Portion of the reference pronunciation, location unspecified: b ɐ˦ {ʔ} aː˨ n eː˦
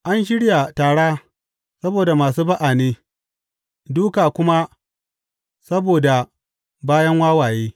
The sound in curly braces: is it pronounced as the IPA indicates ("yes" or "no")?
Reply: yes